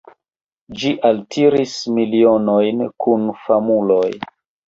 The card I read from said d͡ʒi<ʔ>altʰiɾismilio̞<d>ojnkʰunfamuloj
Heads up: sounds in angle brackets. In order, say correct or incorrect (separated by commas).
correct, incorrect